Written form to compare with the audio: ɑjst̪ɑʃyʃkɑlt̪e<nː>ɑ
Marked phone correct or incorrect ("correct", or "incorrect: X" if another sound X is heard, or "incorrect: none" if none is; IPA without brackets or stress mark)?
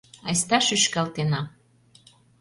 incorrect: n